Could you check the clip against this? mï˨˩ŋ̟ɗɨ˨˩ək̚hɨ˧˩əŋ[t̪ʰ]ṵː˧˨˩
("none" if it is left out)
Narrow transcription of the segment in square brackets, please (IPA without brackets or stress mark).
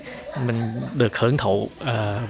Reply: t̪ʰ